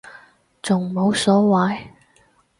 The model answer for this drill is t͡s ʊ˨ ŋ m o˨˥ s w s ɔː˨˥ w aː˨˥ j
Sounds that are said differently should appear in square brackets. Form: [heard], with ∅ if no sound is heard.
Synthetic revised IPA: t͡s ʊ˨ ŋ m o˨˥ [∅] w s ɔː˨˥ w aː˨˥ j